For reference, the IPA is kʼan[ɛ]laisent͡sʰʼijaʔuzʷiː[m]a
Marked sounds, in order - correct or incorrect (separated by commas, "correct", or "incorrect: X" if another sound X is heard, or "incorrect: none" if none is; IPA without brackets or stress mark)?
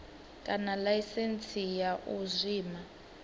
incorrect: a, correct